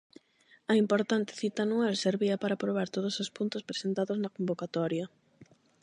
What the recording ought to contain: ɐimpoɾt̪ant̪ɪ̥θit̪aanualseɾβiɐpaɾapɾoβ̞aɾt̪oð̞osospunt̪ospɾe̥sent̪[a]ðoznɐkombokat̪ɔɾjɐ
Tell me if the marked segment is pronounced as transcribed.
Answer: yes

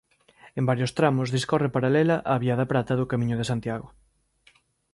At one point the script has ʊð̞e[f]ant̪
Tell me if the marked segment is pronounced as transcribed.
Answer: no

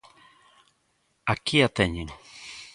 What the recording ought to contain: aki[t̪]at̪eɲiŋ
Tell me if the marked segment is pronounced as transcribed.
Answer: no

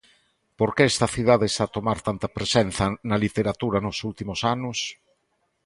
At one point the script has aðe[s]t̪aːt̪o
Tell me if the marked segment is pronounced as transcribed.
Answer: yes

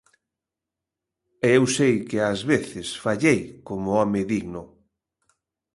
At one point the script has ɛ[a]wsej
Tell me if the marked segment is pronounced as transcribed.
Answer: no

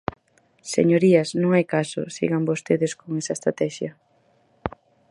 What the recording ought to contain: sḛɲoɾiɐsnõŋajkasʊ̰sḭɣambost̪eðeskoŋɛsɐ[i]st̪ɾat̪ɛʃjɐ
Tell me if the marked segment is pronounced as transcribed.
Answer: no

